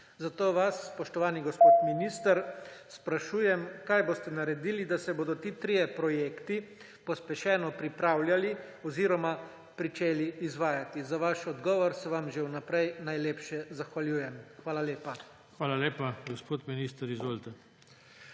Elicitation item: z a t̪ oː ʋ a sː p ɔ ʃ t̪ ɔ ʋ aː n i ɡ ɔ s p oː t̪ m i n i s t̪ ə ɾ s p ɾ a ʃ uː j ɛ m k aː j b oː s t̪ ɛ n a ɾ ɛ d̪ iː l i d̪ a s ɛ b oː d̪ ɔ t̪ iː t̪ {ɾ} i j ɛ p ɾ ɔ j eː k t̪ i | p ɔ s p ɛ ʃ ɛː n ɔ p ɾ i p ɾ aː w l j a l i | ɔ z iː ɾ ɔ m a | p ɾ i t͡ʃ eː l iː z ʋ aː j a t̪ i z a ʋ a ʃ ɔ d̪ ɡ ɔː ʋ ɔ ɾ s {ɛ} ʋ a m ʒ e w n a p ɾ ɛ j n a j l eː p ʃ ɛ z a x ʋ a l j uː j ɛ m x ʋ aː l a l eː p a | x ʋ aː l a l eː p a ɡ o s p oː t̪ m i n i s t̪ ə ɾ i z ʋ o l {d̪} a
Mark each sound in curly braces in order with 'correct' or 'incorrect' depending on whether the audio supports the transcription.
correct, correct, incorrect: t̪

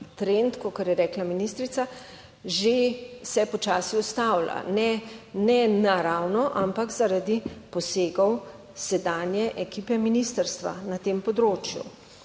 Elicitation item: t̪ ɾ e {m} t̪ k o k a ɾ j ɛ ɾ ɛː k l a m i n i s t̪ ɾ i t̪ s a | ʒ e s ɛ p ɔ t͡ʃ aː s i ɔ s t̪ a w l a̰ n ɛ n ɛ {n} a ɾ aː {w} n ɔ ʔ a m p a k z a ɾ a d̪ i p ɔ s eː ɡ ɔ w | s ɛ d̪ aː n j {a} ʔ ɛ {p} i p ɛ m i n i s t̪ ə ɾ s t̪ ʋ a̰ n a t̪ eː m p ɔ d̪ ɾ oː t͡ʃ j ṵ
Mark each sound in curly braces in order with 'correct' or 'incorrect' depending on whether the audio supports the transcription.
incorrect: n, correct, correct, incorrect: ɛ, incorrect: k

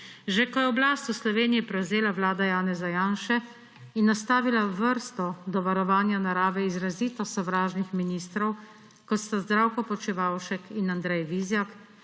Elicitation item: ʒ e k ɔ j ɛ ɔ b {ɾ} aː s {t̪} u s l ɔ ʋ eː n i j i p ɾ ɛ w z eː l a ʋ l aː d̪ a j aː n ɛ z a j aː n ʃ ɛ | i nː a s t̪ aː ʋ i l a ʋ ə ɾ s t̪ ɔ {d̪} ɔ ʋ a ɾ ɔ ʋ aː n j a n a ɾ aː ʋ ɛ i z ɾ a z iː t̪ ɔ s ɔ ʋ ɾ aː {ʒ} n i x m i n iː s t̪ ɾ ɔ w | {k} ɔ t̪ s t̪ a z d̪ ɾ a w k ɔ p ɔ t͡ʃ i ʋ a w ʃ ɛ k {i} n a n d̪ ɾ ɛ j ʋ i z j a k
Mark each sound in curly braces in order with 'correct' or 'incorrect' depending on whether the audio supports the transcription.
incorrect: l, correct, correct, correct, correct, correct

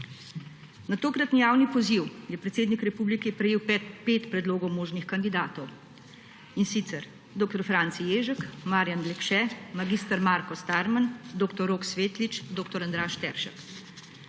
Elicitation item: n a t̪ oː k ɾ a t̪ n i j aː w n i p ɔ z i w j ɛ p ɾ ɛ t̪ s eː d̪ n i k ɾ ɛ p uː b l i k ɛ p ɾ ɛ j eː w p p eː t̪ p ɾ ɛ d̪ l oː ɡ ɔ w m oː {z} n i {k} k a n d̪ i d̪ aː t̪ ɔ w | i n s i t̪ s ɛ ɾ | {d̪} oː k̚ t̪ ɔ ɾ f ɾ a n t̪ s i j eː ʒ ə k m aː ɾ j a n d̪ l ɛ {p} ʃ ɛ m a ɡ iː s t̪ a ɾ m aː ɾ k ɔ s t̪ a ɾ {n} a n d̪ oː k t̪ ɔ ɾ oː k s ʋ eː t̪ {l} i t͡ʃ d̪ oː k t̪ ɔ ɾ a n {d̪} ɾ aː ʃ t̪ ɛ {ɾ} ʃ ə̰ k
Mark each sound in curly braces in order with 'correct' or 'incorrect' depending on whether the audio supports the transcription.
incorrect: ʒ, incorrect: x, correct, incorrect: k, incorrect: m, correct, correct, correct

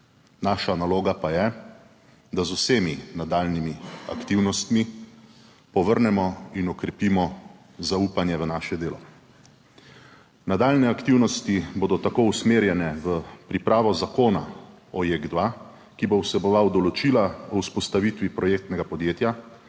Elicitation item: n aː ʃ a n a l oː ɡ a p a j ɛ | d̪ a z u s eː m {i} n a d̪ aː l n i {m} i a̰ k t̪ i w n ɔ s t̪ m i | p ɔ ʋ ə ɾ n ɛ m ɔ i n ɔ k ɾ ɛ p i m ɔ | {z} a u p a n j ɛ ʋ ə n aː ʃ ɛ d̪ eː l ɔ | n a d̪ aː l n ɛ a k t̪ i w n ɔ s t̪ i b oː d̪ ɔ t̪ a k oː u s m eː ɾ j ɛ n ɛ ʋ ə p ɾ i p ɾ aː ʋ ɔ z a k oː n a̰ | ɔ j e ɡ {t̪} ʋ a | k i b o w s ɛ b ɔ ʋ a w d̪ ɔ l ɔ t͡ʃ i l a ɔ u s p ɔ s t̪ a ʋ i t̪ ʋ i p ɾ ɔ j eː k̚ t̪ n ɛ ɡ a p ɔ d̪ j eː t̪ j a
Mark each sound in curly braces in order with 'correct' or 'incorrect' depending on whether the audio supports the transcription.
correct, correct, correct, incorrect: d̪

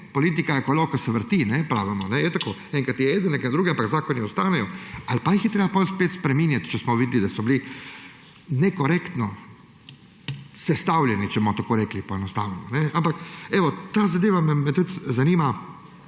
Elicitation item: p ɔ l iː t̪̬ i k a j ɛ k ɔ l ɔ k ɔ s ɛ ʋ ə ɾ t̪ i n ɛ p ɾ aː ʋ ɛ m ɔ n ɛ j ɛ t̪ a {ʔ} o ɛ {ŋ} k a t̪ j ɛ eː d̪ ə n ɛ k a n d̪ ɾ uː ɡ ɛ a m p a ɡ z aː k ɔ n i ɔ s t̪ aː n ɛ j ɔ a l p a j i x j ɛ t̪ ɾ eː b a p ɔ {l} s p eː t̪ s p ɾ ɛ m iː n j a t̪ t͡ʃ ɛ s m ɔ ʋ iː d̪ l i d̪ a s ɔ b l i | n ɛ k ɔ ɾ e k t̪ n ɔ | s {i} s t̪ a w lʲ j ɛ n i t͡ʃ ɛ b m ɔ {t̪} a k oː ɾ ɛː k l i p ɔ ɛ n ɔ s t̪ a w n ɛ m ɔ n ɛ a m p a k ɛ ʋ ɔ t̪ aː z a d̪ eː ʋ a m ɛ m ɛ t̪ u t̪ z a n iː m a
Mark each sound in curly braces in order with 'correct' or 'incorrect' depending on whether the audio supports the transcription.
incorrect: k, correct, correct, incorrect: ɛ, correct

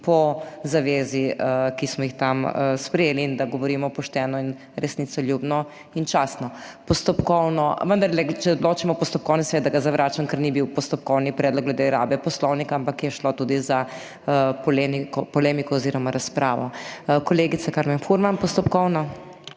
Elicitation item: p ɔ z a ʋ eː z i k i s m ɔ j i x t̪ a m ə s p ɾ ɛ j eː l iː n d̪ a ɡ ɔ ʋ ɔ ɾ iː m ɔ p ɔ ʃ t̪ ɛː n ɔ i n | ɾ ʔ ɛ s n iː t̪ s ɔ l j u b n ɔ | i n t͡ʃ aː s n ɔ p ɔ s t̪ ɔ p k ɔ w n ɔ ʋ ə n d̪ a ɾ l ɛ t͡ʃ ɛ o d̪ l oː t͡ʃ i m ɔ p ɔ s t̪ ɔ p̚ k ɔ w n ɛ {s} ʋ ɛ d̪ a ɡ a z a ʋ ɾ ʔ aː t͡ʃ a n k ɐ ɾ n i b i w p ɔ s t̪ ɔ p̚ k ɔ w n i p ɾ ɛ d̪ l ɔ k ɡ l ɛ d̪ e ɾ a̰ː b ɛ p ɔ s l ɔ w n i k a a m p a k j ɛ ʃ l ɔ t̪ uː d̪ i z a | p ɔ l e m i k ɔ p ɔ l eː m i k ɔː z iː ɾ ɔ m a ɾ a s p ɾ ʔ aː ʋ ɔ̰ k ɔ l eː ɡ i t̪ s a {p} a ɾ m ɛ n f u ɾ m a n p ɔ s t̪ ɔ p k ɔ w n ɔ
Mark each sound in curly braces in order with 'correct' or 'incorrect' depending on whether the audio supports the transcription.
correct, incorrect: k

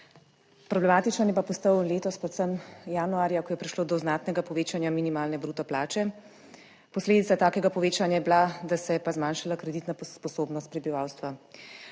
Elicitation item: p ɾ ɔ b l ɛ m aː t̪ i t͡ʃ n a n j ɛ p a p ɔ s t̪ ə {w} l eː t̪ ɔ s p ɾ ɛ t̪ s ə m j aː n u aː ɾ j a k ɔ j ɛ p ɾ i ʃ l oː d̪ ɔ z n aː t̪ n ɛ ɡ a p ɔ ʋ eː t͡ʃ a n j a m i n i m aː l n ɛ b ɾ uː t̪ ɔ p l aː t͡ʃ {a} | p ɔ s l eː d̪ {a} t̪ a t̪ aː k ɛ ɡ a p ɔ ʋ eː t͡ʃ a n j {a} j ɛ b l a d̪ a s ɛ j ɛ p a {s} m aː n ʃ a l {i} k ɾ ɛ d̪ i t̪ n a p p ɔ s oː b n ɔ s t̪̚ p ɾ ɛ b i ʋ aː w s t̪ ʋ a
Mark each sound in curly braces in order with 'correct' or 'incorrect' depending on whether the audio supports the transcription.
correct, incorrect: ɛ, incorrect: i, correct, incorrect: z, incorrect: a

